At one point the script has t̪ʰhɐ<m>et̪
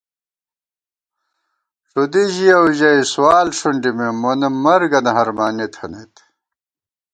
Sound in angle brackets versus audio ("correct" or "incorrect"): incorrect